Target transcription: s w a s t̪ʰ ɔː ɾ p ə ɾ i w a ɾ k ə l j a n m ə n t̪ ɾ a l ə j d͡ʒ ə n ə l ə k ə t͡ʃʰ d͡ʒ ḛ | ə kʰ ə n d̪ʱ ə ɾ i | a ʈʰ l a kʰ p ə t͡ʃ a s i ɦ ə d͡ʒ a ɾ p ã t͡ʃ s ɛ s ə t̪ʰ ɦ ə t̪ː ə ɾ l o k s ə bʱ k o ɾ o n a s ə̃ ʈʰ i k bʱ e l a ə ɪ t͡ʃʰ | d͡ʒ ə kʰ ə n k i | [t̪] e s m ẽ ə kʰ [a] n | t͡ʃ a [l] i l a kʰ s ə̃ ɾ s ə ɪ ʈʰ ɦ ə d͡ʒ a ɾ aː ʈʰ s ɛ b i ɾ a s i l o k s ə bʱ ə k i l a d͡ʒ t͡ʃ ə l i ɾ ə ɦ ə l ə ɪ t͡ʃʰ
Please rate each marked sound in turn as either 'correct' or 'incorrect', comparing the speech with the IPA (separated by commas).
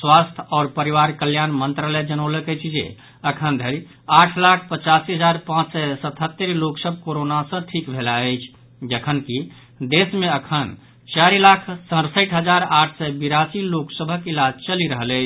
incorrect, incorrect, incorrect